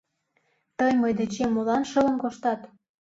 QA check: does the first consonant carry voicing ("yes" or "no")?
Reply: no